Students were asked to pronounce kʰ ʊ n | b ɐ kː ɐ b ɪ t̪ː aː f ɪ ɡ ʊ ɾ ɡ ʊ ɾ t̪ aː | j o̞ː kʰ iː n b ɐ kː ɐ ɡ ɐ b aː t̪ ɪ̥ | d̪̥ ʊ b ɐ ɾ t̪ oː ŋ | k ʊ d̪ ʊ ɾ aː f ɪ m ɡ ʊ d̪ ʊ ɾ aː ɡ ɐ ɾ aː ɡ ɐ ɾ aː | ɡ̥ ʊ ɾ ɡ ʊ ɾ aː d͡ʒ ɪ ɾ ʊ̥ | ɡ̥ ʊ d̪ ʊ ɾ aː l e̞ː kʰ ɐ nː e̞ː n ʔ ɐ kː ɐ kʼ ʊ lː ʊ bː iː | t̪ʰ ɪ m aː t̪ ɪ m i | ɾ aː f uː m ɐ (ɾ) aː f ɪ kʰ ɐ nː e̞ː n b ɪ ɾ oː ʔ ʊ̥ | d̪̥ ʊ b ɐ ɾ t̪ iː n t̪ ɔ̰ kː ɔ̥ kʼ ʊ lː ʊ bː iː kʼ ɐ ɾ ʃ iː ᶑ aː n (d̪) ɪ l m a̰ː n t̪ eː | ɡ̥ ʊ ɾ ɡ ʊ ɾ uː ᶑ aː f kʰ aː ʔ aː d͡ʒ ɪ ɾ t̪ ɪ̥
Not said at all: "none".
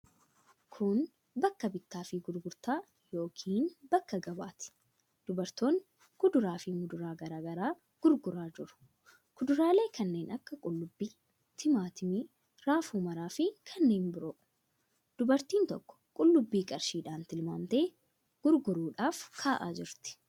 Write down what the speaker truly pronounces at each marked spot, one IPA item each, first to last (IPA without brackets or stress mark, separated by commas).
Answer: ɾ, t̪